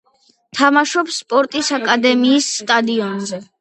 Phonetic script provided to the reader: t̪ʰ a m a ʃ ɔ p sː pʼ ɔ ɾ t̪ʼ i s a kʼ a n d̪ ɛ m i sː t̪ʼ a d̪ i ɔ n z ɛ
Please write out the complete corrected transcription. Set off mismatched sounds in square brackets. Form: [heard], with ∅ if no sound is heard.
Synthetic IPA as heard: t̪ʰ a m a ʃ ɔ p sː pʼ ɔ ɾ t̪ʼ i s a kʼ a [∅] d̪ ɛ m [iː] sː t̪ʼ a d̪ i ɔ n z ɛ